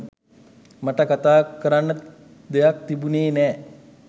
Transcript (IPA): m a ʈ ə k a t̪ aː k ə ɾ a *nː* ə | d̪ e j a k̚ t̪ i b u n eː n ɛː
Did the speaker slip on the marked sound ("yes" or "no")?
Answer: no